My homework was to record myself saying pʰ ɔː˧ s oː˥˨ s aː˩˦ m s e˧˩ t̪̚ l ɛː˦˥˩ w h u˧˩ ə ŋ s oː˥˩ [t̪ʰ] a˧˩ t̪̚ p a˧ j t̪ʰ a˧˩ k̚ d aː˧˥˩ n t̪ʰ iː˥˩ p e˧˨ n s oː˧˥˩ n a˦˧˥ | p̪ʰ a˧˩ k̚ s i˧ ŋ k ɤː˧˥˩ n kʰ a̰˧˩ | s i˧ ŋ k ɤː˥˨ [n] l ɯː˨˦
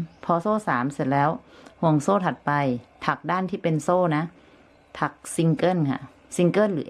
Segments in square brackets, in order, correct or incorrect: correct, correct

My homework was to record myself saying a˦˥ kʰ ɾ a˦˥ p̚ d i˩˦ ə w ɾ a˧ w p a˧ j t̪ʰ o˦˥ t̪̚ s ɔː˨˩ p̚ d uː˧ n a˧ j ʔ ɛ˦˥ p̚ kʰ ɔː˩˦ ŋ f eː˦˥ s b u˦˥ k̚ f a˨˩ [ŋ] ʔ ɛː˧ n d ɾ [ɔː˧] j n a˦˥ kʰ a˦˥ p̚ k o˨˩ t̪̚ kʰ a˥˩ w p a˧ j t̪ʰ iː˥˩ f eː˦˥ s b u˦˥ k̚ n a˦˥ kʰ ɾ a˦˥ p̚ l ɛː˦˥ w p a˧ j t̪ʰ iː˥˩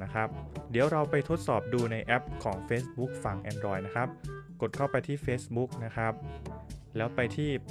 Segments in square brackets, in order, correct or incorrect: correct, correct

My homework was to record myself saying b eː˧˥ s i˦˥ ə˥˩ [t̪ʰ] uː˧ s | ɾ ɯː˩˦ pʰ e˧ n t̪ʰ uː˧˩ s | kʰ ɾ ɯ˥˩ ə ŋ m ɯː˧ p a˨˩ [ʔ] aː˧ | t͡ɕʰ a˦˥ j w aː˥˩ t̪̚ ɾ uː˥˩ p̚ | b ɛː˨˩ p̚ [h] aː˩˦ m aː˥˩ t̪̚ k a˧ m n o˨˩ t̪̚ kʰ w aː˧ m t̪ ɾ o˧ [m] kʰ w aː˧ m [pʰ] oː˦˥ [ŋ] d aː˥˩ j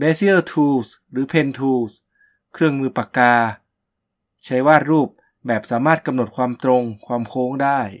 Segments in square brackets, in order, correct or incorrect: correct, incorrect: k, incorrect: s, incorrect: ŋ, incorrect: kʰ, correct

